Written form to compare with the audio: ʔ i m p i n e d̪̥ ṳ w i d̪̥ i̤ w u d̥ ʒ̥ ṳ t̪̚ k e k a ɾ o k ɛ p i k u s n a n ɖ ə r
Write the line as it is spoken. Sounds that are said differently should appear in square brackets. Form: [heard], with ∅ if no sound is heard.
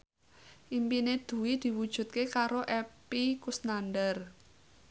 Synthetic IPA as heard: ʔ i m p i n e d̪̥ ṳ w i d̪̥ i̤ w u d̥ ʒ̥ ṳ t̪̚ k e k a ɾ o [ʔ] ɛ p i k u s n a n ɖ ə r